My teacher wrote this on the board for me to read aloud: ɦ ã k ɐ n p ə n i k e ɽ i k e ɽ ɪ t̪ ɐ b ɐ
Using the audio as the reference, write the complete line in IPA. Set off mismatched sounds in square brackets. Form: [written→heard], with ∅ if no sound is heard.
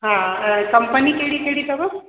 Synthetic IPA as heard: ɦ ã k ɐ [n→m] p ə n i k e ɽ i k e ɽ [ɪ→i] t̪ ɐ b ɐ